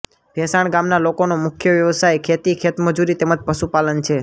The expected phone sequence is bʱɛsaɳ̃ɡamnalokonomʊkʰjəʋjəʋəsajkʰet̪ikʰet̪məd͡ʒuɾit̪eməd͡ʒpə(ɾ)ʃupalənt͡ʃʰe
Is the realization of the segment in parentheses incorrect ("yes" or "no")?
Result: yes